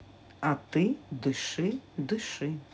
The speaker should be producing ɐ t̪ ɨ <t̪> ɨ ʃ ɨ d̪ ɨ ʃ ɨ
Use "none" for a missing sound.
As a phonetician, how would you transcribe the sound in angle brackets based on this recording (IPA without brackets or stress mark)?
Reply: d̪